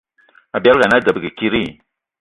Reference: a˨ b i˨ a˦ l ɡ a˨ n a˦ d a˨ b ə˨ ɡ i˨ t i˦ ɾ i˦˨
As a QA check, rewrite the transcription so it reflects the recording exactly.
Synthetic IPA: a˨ b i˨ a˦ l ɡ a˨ n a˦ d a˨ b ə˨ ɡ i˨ k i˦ ɾ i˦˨